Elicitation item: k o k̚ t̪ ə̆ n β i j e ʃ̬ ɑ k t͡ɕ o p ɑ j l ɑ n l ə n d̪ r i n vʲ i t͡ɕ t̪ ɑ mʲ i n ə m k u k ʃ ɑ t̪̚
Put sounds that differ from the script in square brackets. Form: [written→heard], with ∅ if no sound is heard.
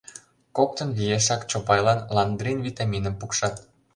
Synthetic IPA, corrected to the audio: k o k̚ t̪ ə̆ n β i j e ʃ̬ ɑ k t͡ɕ o p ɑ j l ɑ n l [ə→ɑ] n d̪ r i n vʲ i [t͡ɕ→∅] t̪ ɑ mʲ i n ə m [k→p] u k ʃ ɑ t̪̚